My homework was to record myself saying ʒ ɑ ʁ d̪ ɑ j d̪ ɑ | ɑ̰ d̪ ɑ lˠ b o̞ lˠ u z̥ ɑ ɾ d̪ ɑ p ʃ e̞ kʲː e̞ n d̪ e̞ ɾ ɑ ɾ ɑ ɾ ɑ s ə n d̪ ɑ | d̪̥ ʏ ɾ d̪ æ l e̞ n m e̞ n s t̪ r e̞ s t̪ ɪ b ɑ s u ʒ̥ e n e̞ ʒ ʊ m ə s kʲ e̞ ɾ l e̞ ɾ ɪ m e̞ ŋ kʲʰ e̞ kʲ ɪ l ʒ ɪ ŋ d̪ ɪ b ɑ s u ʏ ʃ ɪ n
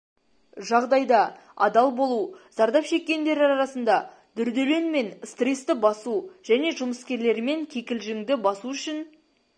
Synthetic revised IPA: ʒ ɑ ʁ d̪ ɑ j d̪ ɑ | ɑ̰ d̪ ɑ lˠ b o̞ lˠ u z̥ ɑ ɾ d̪ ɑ p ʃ e̞ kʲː e̞ n d̪ e̞ ɾ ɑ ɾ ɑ ɾ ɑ s ə n d̪ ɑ | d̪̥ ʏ ɾ d̪ e l e̞ n m e̞ n s t̪ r e̞ s t̪ ɪ b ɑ s u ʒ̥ æ n e̞ ʒ ʊ m ə s kʲ e̞ ɾ l e̞ ɾ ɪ m e̞ ŋ kʲʰ e̞ kʲ ɪ l ʒ ɪ ŋ d̪ ɪ b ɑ s u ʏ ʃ ɪ n